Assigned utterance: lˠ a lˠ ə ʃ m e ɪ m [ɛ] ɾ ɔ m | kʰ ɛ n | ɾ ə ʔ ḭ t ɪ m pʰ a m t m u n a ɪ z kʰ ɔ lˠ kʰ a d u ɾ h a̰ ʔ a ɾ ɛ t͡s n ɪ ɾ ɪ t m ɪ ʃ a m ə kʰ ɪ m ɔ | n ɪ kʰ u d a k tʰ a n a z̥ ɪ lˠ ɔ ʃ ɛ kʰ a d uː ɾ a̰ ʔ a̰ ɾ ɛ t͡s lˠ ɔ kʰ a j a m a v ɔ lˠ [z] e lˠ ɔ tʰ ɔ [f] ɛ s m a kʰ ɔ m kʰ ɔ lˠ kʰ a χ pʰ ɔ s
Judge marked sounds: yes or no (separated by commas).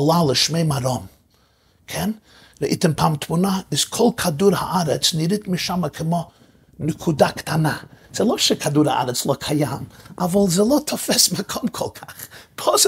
no, yes, yes